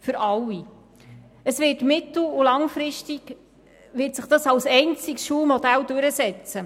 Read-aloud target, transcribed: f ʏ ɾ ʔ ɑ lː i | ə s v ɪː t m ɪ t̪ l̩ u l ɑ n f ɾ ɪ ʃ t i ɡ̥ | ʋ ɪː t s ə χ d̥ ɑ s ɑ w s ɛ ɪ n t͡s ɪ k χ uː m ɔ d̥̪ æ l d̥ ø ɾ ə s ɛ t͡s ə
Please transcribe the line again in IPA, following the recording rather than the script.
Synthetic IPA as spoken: f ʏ ɾ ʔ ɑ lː i | ə s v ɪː t m ɪ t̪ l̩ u l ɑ ŋ f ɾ ɪ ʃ t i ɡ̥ | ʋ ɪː t s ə χ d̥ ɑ s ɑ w s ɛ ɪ n t͡s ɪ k ʃ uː m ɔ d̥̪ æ l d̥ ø ɾ ə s ɛ t͡s ə